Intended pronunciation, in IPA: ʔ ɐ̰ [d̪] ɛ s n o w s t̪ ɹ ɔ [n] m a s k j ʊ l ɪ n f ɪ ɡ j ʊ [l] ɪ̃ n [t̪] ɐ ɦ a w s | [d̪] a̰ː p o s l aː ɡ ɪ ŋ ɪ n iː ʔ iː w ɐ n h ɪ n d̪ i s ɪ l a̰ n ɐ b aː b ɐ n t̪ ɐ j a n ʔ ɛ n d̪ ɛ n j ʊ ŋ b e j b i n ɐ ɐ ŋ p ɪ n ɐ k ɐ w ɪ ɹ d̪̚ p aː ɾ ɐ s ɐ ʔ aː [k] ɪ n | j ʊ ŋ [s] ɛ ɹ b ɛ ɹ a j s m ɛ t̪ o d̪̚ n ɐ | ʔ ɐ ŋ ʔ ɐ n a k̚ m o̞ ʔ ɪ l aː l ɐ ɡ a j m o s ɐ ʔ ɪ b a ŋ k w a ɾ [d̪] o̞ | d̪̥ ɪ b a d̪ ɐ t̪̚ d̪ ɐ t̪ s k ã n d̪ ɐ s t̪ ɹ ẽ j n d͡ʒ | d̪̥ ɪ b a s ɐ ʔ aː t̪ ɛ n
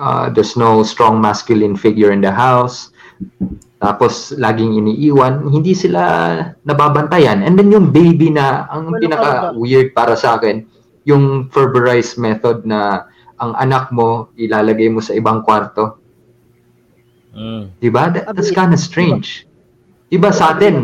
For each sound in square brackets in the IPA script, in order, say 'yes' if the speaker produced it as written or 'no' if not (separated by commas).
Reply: yes, no, no, no, no, yes, no, no